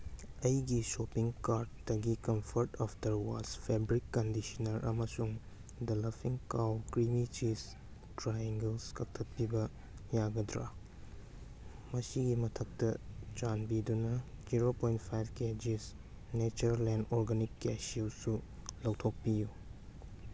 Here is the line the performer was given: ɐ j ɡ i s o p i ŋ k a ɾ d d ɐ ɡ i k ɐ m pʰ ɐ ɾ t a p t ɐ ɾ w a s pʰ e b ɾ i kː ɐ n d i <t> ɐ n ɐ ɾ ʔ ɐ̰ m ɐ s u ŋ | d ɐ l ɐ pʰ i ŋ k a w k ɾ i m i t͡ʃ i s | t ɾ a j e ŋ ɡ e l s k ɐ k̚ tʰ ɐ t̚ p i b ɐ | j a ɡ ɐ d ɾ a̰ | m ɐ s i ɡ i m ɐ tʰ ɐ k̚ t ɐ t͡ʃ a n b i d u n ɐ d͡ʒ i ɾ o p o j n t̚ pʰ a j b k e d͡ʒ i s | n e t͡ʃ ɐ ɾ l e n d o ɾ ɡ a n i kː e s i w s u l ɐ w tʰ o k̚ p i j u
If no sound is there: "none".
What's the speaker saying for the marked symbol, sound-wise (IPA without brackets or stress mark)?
s